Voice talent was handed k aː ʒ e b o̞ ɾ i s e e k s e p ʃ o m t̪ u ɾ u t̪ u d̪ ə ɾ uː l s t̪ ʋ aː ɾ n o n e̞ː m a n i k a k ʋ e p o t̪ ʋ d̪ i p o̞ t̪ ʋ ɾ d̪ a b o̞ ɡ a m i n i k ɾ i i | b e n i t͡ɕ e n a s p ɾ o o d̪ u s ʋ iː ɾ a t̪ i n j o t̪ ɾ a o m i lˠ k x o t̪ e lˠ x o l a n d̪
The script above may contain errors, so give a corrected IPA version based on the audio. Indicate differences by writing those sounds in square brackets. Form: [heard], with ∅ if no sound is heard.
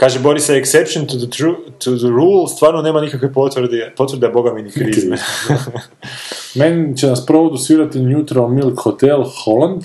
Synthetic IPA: k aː ʒ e b o̞ ɾ i s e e k s e p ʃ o [n] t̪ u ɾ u t̪ u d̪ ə ɾ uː l s t̪ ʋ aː ɾ n o n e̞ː m a n i k a k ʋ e p o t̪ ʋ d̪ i p o̞ t̪ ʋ ɾ d̪ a b o̞ ɡ a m i n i k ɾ i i | [m] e n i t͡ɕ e n a s p ɾ o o d̪ u s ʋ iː ɾ a t̪ i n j [u] t̪ ɾ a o m i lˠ k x o t̪ e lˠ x o l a n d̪